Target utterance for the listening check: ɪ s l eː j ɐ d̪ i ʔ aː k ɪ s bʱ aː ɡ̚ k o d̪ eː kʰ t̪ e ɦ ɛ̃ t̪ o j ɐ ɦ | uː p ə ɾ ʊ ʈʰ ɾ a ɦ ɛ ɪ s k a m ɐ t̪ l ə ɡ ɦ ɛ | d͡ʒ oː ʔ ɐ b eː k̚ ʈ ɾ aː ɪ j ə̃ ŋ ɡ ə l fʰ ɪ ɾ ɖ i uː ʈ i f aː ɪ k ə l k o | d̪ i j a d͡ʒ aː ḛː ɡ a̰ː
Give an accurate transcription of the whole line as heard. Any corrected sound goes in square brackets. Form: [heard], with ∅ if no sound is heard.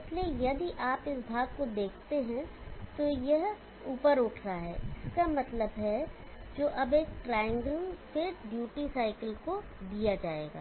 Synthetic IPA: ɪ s l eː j ɐ d̪ i ʔ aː [p] ɪ s bʱ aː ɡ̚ k o d̪ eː kʰ t̪ e ɦ ɛ̃ t̪ o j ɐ ɦ | uː p ə ɾ ʊ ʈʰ ɾ a ɦ ɛ ɪ s k a m ɐ t̪ l ə [b] ɦ ɛ | d͡ʒ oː ʔ ɐ b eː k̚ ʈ ɾ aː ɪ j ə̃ ŋ ɡ ə l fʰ ɪ ɾ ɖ [j] uː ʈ i [s] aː ɪ k ə l k o | d̪ i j a d͡ʒ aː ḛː ɡ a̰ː